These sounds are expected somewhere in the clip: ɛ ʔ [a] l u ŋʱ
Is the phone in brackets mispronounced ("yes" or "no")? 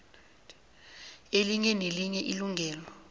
yes